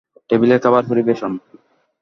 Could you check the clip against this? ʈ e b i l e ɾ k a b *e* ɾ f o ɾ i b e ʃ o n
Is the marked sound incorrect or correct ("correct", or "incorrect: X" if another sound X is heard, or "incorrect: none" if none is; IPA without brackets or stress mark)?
incorrect: a